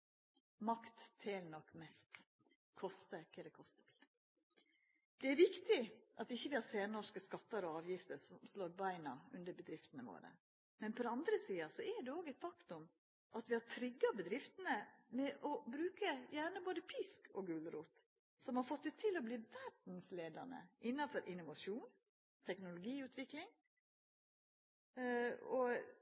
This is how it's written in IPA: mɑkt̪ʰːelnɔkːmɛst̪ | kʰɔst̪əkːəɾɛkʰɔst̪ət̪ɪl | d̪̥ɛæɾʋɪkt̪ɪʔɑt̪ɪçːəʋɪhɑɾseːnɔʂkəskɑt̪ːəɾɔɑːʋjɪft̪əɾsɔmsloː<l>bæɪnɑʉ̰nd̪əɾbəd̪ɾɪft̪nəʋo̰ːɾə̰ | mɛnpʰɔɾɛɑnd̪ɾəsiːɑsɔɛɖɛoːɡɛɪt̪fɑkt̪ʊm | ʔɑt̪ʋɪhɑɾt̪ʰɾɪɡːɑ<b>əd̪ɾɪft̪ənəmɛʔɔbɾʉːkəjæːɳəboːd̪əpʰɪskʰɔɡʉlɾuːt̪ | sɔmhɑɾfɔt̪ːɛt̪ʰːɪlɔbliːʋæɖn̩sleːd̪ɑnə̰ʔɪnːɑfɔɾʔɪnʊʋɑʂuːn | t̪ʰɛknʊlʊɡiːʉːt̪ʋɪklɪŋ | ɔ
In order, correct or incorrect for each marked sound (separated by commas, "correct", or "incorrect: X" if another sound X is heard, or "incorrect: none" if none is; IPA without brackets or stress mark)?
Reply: incorrect: ɾ, correct